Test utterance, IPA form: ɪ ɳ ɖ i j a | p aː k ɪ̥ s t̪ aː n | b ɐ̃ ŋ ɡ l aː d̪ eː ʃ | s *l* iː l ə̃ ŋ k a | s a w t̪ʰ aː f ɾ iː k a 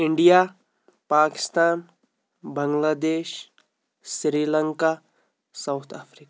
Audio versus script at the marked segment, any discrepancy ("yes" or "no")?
yes